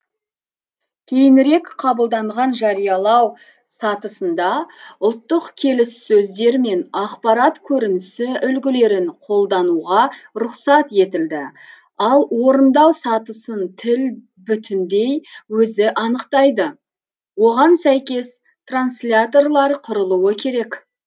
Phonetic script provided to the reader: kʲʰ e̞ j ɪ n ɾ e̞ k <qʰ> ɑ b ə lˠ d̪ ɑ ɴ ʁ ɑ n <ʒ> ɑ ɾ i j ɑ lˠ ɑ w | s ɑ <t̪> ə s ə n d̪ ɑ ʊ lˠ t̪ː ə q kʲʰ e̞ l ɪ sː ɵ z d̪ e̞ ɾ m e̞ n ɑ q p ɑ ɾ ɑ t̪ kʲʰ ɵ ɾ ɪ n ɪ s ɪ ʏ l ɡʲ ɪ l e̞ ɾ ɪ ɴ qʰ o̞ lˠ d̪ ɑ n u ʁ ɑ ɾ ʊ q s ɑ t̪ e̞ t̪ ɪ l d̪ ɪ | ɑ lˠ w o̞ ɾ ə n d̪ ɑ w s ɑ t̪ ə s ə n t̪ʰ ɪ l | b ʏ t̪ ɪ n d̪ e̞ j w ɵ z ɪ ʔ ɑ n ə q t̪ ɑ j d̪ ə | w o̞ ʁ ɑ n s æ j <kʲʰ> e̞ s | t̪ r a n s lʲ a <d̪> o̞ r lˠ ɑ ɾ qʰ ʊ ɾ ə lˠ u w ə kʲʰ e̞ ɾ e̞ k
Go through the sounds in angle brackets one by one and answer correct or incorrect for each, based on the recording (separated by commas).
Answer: correct, correct, correct, incorrect, incorrect